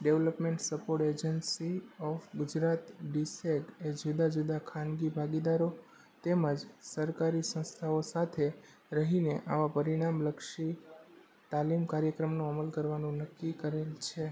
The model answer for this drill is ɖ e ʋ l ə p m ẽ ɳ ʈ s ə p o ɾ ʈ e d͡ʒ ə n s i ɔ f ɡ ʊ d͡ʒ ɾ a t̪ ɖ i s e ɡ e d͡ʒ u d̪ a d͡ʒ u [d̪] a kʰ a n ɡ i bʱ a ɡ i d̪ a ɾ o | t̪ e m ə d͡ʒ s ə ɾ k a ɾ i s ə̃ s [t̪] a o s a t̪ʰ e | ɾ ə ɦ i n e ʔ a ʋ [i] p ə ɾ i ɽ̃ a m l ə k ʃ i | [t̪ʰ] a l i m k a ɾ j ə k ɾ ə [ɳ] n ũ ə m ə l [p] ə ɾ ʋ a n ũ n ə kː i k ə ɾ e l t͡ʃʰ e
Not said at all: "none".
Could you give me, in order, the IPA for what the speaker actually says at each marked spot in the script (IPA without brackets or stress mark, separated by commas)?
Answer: d̪, t̪ʰ, a, t̪, m, k